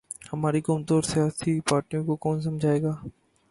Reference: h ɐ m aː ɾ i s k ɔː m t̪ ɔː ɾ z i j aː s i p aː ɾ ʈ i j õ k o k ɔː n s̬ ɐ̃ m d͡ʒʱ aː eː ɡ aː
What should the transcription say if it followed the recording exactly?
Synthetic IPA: h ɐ m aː ɾ i k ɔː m t̪ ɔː ɾ s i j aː s i p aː ɾ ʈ i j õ k o k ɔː n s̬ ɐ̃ m d͡ʒʱ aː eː ɡ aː